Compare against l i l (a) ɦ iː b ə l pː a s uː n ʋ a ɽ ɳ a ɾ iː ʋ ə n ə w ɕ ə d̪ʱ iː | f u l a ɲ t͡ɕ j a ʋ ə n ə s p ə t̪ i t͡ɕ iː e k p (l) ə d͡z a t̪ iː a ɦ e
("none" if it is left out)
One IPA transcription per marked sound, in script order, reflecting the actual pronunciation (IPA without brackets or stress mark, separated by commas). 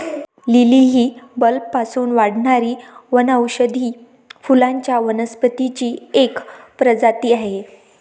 i, ɾ